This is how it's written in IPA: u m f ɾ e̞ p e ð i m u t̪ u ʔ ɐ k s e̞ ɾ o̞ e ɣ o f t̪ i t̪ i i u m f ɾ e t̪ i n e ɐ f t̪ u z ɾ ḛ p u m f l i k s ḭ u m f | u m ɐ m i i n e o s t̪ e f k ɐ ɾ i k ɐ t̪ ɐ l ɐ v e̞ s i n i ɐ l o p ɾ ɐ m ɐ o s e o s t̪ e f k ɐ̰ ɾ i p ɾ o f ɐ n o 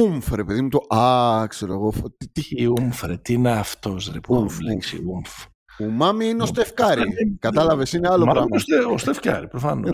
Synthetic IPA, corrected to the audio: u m f ɾ e̞ p e ð i m u t̪ o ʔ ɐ k s e̞ ɾ o̞ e ɣ o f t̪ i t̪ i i u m f ɾ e t̪ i n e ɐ f t̪ o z ɾ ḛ p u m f l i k s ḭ u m f | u m ɐ m i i n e o s t̪ e f k ɐ ɾ i k ɐ t̪ ɐ l ɐ v e̞ s i n e ɐ l o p ɾ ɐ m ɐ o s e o s t̪ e f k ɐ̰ ɾ i p ɾ o f ɐ n o